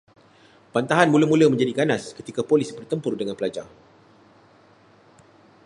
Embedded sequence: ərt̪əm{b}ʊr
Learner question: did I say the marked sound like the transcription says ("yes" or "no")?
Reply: no